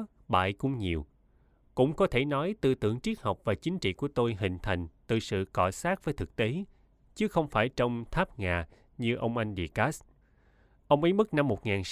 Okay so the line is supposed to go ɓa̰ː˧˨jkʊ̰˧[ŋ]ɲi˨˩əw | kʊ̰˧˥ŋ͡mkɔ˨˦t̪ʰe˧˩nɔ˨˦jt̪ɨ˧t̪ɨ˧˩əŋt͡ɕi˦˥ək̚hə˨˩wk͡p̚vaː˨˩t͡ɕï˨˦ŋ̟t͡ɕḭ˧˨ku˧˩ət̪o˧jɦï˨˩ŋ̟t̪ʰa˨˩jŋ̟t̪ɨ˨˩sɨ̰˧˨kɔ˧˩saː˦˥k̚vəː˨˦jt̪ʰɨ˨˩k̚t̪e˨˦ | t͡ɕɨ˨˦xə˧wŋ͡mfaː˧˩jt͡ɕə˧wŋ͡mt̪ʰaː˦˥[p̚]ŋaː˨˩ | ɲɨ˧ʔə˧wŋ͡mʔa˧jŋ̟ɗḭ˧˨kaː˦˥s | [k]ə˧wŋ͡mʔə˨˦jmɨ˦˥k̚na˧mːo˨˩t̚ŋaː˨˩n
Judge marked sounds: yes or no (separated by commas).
no, yes, no